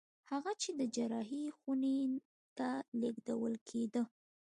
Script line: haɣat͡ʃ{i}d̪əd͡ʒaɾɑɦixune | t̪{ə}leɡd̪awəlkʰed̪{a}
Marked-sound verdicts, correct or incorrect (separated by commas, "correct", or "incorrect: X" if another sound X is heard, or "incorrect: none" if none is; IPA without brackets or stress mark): incorrect: e, incorrect: a, incorrect: ə